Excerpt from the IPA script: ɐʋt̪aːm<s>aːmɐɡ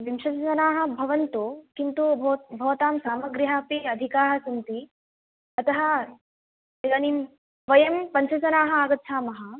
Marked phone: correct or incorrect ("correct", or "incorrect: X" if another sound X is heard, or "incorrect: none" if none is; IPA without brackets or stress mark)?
correct